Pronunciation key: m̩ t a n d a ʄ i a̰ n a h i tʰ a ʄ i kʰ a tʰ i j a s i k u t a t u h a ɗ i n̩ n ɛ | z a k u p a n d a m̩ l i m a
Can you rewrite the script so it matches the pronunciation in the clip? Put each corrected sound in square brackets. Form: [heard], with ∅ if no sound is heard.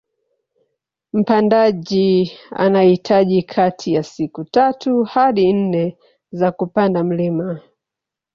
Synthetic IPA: m̩ [p] a n d a ʄ i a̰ n a h i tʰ a ʄ i kʰ a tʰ i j a s i k u t a t u h a ɗ i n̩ n ɛ | z a k u p a n d a m̩ l i m a